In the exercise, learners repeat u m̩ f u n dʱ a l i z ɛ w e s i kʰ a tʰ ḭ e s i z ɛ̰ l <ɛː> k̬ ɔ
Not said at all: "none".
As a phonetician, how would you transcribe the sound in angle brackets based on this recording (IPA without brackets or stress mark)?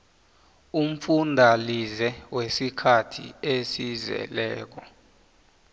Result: ɛː